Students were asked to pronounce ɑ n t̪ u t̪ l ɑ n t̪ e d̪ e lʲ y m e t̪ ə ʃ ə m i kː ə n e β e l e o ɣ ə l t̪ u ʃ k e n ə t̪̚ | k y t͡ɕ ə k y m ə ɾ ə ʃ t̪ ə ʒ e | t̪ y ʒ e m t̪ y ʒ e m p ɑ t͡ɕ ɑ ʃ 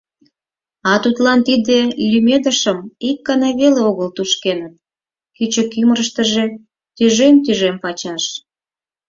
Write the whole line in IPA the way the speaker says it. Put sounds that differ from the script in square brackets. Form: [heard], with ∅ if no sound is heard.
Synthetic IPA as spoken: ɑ [∅] t̪ u t̪ l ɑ n t̪ [i] d̪ e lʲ y m e [d̪] ə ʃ ə m i kː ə n e β e l e o ɣ ə l t̪ u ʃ k e n ə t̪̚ | k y t͡ɕ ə k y m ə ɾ ə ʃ t̪ ə ʒ e | t̪ y ʒ e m t̪ y ʒ e m p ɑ t͡ɕ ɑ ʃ

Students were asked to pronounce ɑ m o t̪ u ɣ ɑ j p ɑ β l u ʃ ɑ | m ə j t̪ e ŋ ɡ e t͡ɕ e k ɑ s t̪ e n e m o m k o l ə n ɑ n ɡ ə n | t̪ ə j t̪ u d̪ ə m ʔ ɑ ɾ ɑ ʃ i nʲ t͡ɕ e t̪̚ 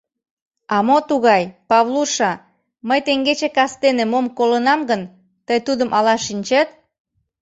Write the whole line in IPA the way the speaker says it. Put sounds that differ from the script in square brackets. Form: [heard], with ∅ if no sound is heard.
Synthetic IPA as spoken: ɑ m o t̪ u ɣ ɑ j p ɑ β l u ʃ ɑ | m ə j t̪ e ŋ ɡ e t͡ɕ e k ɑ s t̪ e n e m o m k o l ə n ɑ [m] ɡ ə n | t̪ ə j t̪ u d̪ ə m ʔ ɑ [l] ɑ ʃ i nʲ t͡ɕ e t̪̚

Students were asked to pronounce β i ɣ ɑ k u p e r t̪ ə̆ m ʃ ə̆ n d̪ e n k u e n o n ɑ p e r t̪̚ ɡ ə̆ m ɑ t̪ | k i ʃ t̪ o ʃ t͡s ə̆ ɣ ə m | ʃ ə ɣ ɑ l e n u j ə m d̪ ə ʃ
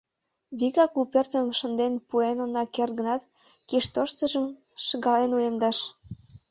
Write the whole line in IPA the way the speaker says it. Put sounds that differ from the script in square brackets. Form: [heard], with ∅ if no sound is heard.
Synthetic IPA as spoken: β i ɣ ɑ k u p e r t̪ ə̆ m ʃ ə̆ n d̪ e n [p] u e n o n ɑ [k] e r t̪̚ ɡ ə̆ [n] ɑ t̪ | k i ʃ t̪ o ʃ t͡s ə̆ [ʒ] ə m | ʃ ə ɣ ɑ l e n u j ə m d̪ [ɑ] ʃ

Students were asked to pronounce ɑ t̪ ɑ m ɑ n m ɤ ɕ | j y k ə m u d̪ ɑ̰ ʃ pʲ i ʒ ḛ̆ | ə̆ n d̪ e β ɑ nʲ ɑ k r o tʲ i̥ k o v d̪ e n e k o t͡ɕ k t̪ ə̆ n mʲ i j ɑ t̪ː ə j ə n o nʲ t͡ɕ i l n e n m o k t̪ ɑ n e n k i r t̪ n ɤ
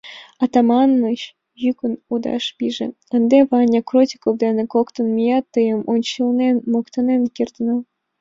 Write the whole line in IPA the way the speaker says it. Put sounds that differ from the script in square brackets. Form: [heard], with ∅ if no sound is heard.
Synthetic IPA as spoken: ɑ t̪ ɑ m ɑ n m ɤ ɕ | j y k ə [n] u d̪ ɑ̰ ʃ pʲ i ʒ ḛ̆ | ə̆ n d̪ e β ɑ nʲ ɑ k r o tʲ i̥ k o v d̪ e n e k o [∅] k t̪ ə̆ n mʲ i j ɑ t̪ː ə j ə [m] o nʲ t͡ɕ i l n e n m o k t̪ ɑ n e n k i r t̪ n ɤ

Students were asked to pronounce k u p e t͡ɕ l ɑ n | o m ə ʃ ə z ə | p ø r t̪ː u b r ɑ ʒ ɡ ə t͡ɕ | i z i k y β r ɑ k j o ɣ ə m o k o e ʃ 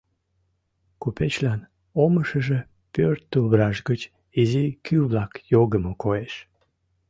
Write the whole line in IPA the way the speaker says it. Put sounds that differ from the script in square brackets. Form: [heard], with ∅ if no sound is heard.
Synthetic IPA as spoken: k u p e t͡ɕ l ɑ n | o m ə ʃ ə [ʒ] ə | p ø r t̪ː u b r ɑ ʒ ɡ ə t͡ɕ | i z i k y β [l] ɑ k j o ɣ ə m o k o e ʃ

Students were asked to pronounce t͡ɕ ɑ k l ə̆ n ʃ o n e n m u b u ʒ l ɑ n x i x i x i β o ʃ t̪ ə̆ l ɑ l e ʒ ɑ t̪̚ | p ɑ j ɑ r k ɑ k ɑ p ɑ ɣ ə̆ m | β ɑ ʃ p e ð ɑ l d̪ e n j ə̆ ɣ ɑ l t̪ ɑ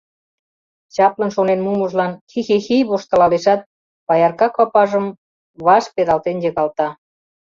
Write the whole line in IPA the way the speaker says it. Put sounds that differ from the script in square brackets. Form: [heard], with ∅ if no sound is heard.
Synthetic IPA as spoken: t͡ɕ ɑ [p] l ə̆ n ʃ o n e n m u [m] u ʒ l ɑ n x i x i x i β o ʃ t̪ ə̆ l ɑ l e [ʃ] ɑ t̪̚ | p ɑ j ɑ r k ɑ k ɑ p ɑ [ʒ] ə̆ m | β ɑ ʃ p e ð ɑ l [t̪] e n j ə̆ ɣ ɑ l t̪ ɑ

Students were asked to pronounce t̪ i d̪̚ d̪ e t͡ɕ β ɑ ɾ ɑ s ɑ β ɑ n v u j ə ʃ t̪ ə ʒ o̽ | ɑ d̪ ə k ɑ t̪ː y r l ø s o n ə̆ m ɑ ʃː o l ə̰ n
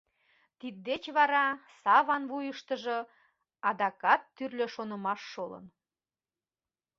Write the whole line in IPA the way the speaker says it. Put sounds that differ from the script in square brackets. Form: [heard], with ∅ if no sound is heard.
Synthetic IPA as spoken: t̪ i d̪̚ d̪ e t͡ɕ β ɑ ɾ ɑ s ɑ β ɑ n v u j ə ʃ t̪ ə ʒ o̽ | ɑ d̪ [ɑ] k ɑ t̪ː y r l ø [ʃ] o n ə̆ m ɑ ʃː o l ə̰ n

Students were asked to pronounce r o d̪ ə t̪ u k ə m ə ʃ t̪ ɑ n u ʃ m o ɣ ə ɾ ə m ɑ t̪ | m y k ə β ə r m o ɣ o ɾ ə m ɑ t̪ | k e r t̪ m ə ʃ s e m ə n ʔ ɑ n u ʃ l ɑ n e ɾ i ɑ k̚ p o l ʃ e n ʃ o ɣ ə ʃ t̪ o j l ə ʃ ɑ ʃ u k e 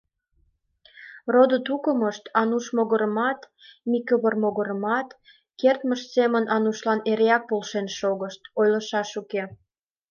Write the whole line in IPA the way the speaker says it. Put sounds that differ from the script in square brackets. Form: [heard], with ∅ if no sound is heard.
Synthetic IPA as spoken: r o d̪ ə t̪ u k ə m ə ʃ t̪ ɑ n u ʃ m o ɣ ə ɾ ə m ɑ t̪ | m [i] k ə β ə r m o ɣ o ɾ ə m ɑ t̪ | k e r t̪ m ə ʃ s e m ə n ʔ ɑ n u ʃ l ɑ n e ɾ [e] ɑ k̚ p o l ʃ e n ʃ o ɣ ə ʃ t̪ o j l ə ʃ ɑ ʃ u k e

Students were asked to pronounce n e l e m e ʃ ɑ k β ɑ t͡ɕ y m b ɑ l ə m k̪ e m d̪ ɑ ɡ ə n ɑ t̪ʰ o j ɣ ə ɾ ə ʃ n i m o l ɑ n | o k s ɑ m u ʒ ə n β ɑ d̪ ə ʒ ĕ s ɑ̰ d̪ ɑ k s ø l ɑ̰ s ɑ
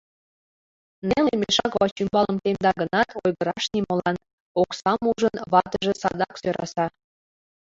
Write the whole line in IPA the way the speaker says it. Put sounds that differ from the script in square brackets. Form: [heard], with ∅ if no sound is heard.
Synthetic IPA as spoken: n e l e m e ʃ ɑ k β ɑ t͡ɕ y m b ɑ l ə m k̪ e m d̪ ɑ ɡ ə n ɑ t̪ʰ o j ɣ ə ɾ [ɑ] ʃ n i m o l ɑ n | o k s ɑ m u ʒ ə n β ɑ [t̪] ə ʒ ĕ s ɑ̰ d̪ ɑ k s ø [ɾ] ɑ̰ s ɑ

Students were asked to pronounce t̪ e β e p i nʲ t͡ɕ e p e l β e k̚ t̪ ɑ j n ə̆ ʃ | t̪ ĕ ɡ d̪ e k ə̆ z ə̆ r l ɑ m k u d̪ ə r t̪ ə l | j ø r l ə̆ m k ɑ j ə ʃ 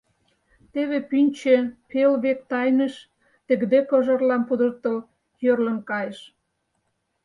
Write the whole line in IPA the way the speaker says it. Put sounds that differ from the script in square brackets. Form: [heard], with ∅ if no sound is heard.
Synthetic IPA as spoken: t̪ e β e p [y] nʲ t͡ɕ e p e l β e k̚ t̪ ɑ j n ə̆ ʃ | t̪ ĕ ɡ d̪ e k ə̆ [ʒ] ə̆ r l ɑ m [p] u d̪ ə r t̪ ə l | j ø r l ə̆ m k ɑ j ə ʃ

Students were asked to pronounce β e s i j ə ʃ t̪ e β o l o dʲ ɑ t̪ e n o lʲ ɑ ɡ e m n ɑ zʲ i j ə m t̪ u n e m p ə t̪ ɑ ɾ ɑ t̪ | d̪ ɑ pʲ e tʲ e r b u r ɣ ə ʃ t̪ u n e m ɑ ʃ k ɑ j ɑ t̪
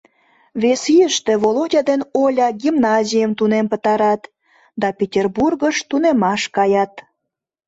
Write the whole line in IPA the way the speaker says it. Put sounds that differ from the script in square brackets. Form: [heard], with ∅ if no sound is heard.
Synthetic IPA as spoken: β e s i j ə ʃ t̪ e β o l o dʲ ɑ [d̪] e n o lʲ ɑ ɡ [i] m n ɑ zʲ i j ə m t̪ u n e m p ə t̪ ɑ ɾ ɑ t̪ | d̪ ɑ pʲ e tʲ e r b u r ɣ ə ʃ t̪ u n e m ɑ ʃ k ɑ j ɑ t̪

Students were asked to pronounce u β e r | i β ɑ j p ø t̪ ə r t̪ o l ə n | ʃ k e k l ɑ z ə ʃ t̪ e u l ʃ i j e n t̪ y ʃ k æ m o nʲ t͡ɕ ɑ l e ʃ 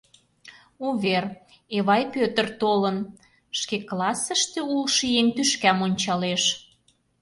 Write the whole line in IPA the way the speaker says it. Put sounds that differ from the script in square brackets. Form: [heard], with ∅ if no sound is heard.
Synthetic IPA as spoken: u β e r | [e] β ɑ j p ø t̪ ə r t̪ o l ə n | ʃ k e k l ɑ [s] ə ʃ t̪ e u l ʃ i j e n t̪ y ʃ k æ m o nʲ t͡ɕ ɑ l e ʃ

